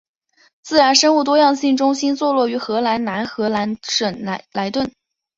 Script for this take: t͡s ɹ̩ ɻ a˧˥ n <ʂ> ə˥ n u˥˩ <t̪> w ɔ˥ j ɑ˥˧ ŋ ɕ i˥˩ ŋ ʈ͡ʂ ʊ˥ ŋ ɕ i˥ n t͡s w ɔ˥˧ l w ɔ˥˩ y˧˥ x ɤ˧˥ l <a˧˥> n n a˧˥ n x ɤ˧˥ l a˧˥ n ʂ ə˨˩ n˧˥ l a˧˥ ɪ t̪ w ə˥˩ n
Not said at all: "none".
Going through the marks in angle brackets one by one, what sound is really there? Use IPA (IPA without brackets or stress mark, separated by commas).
ʂ, t̪, a˧˥